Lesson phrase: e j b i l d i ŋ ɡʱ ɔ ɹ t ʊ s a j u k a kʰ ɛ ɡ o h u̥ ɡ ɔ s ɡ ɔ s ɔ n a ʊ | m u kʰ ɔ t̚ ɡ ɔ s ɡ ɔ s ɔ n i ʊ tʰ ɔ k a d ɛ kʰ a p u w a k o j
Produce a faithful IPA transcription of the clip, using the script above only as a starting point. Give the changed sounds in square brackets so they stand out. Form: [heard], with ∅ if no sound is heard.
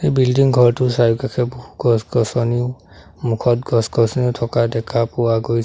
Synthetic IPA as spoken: e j b i l d i ŋ ɡʱ ɔ ɹ t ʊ s a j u k a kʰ ɛ [b] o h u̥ ɡ ɔ s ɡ ɔ s ɔ n [i] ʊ | m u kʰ ɔ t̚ ɡ ɔ s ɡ ɔ s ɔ n i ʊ tʰ ɔ k a d ɛ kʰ a p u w a [ɡ] o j